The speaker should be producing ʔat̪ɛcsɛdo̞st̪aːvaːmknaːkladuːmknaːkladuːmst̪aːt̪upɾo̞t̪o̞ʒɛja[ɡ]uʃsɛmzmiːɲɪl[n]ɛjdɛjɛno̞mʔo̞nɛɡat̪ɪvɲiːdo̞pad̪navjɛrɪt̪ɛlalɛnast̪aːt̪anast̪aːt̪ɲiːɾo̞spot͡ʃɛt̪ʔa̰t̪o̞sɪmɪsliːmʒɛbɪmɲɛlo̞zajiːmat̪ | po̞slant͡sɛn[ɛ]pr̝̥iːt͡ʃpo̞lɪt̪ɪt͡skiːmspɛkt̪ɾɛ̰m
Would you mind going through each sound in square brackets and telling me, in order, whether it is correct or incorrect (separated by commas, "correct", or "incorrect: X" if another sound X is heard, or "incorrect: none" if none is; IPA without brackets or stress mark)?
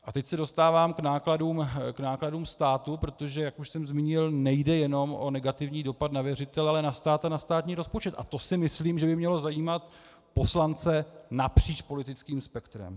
incorrect: k, correct, incorrect: a